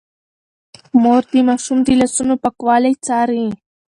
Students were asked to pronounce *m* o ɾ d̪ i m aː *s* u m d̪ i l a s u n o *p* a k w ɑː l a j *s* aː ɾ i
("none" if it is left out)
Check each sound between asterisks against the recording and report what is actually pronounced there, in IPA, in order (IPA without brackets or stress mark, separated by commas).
m, ʃ, p, t͡s